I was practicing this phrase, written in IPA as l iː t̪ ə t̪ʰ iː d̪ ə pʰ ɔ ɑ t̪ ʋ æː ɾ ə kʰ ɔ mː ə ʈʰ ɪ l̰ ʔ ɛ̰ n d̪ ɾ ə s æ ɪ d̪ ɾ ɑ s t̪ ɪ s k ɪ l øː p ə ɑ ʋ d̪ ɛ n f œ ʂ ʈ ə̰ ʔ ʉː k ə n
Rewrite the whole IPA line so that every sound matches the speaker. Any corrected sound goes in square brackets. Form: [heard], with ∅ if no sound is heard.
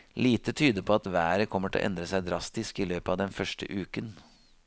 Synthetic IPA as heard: l iː t̪ ə t̪ʰ [yː] d̪ ə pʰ ɔ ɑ t̪ ʋ æː ɾ ə kʰ ɔ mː ə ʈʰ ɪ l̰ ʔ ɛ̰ n d̪ ɾ ə s æ ɪ d̪ ɾ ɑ s t̪ ɪ s k ɪ l øː p ə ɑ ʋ d̪ ɛ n f œ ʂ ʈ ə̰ ʔ ʉː k ə n